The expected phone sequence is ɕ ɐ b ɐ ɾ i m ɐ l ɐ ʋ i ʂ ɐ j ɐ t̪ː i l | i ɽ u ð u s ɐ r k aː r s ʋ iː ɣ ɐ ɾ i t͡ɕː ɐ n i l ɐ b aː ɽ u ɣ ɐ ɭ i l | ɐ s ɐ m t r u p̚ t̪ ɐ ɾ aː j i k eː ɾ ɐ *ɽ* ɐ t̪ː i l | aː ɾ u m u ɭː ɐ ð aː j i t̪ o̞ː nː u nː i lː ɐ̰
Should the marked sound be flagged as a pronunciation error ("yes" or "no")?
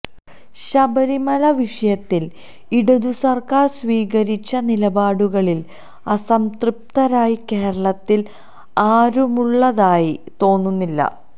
yes